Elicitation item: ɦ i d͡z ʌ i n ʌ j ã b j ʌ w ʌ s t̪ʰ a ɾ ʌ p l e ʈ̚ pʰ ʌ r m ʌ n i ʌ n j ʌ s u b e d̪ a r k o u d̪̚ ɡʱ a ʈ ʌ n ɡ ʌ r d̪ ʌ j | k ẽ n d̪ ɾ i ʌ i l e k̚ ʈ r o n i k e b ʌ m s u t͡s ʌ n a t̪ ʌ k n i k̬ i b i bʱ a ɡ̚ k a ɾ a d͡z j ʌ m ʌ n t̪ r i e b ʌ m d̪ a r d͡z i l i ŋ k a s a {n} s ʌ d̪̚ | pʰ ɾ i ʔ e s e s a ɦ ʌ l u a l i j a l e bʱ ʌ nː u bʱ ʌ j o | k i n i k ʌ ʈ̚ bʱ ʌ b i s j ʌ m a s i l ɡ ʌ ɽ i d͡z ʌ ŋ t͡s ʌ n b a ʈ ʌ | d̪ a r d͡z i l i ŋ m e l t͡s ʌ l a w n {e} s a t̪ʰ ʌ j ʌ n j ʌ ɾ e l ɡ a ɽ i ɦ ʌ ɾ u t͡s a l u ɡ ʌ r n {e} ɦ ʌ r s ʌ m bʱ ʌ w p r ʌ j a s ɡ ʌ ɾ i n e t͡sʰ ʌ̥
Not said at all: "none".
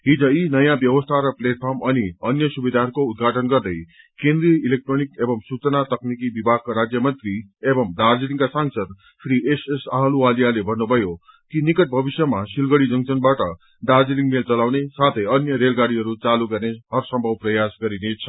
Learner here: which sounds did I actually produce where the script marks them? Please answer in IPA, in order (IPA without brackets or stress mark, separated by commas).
ŋ, e, e